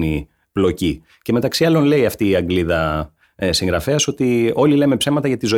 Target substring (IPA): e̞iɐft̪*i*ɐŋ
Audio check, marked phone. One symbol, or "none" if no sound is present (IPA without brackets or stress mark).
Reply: iː